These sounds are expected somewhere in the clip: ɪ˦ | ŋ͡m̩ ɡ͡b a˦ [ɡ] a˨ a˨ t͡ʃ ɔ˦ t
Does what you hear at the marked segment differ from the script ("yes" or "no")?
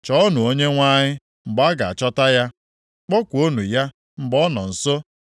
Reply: no